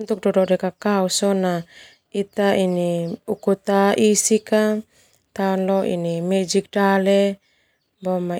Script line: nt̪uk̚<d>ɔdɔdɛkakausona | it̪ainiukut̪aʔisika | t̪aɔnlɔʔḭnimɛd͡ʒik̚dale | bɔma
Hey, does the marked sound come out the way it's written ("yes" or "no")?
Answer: yes